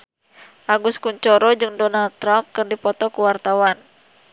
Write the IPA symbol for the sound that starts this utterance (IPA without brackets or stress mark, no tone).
ʔ